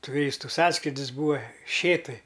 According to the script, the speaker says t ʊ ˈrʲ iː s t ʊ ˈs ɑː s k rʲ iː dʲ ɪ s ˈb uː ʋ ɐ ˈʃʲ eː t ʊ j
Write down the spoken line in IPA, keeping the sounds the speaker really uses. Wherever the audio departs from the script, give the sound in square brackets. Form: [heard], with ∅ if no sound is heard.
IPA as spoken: t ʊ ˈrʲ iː s t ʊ ˈs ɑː s k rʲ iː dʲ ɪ s ˈb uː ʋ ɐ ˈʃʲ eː t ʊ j